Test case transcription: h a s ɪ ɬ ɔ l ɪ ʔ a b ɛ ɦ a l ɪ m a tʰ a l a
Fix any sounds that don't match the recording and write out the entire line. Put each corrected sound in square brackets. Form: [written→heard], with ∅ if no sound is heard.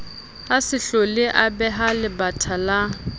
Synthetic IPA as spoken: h a s ɪ ɬ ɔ l ɪ ʔ a b ɛ ɦ a l ɪ [m→b] a tʰ a l a